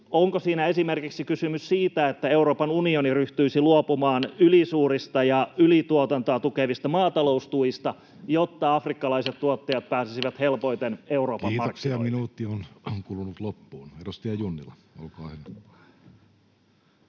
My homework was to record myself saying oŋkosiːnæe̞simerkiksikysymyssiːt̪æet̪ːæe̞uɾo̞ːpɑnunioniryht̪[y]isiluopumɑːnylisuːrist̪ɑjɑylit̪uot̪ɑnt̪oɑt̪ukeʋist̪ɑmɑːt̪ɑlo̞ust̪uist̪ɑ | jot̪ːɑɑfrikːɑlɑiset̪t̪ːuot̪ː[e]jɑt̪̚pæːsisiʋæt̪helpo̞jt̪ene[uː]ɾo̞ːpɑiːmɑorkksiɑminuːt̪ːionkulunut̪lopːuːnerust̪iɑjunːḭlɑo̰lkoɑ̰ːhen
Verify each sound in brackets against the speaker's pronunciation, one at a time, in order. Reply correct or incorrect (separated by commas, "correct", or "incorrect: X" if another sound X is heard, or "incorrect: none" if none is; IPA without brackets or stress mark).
correct, correct, incorrect: u